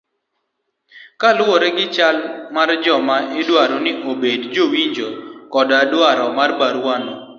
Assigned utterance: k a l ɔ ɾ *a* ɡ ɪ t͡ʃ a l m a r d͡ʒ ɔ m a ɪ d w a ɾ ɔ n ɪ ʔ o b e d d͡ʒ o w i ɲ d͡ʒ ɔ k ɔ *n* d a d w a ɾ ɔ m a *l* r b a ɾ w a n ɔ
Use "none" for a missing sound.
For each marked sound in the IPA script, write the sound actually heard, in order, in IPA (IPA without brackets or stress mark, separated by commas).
ɛ, none, none